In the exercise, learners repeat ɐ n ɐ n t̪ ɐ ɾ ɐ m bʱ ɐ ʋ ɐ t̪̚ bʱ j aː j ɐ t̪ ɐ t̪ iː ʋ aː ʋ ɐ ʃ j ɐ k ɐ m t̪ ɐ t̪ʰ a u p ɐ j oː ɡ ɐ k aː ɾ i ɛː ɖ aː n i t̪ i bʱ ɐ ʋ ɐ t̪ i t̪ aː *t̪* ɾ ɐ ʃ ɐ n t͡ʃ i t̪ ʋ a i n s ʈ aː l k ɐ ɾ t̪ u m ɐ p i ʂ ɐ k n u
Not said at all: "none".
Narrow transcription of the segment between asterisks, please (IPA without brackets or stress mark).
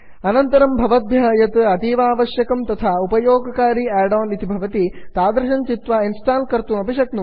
d̪